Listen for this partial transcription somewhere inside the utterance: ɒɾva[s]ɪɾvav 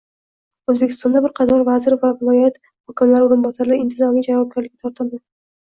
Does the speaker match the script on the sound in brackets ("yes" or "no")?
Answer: no